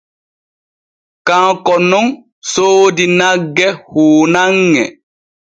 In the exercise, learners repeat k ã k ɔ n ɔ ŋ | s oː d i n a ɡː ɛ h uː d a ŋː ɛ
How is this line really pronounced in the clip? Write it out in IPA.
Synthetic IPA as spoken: k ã k ɔ n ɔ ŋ | s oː d i n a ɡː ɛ h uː n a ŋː ɛ